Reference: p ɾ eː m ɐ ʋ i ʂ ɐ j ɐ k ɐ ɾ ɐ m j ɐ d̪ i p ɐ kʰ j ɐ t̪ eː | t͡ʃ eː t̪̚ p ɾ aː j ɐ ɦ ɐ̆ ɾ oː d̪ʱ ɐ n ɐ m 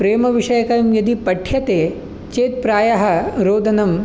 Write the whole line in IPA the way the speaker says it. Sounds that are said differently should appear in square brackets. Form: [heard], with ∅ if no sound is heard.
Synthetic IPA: p ɾ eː m ɐ ʋ i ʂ ɐ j ɐ k ɐ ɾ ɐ m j ɐ d̪ i p ɐ [ʈʰ] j ɐ t̪ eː | t͡ʃ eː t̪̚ p ɾ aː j ɐ ɦ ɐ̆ ɾ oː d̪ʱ ɐ n ɐ m